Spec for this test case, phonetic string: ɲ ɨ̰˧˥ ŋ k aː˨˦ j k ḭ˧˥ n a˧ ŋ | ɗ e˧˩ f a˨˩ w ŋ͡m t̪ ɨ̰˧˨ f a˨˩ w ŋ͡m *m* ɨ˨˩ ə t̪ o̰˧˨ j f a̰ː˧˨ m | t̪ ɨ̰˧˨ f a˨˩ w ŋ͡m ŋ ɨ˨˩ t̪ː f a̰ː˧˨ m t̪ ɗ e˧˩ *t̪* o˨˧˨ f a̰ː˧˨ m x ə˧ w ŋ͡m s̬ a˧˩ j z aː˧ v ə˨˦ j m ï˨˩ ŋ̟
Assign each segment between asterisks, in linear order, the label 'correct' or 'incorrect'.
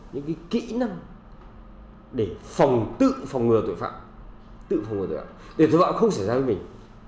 incorrect: ŋ, correct

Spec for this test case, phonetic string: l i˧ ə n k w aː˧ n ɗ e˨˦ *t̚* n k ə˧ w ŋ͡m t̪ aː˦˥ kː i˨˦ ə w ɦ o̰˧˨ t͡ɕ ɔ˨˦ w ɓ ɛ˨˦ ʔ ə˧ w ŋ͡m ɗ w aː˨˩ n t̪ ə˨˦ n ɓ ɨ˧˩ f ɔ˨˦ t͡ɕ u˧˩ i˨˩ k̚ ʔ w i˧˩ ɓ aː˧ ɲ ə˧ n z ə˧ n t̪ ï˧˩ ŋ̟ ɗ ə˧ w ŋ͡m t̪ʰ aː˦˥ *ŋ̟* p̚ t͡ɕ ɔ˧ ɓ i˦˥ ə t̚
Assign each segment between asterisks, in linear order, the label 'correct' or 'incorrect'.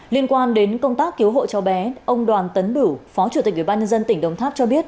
incorrect: none, incorrect: none

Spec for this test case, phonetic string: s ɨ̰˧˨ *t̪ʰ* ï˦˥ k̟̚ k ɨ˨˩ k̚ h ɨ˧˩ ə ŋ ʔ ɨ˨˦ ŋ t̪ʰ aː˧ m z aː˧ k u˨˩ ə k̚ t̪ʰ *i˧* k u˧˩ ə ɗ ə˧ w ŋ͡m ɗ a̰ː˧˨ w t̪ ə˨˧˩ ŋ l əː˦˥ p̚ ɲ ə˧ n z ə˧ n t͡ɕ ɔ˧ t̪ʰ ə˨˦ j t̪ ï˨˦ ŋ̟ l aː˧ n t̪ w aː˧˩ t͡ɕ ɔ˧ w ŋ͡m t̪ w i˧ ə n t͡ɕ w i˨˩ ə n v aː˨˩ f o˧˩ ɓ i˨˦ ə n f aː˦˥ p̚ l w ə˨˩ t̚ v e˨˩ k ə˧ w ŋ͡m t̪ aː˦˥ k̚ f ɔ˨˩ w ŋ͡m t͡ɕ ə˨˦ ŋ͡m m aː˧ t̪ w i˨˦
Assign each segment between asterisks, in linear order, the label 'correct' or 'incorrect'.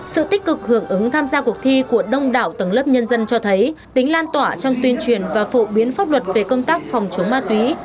incorrect: t̪, correct

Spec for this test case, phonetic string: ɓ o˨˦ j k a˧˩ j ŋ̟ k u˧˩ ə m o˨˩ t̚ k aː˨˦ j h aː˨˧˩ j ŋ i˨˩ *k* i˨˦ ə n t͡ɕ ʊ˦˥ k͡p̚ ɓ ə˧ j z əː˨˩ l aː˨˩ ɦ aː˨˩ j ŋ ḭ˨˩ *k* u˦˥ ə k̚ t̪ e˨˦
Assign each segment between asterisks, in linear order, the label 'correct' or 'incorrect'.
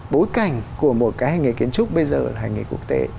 correct, correct

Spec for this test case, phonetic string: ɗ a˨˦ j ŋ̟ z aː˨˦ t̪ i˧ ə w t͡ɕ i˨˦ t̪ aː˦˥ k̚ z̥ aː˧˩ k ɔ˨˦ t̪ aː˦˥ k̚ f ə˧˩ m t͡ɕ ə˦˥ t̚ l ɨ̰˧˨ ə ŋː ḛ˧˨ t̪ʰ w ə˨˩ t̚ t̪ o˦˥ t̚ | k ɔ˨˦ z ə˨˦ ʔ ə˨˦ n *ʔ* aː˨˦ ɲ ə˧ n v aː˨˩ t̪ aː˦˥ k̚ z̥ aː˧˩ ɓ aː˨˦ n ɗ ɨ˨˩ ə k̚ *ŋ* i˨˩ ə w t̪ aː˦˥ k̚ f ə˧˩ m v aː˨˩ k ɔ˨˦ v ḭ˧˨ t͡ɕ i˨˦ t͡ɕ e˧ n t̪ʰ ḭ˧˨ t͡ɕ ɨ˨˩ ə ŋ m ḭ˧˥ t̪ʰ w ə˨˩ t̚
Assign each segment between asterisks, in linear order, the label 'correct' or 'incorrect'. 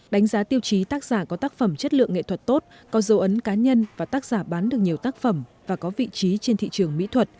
incorrect: k, incorrect: ɲ

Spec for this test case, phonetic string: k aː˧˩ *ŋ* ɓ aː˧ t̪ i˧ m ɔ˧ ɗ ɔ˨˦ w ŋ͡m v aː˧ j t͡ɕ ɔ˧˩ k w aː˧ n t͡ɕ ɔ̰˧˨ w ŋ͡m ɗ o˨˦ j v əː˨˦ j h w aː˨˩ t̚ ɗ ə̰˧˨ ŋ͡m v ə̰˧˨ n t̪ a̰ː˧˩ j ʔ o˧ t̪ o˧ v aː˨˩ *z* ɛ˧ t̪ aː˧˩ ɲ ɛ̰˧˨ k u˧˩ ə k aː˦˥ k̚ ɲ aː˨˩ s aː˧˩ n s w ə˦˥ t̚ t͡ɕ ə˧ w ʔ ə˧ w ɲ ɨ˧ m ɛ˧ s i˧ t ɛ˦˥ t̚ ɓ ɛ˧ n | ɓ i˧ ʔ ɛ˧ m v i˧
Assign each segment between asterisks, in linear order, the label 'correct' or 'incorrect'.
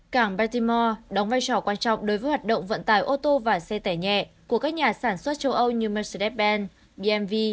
correct, incorrect: s

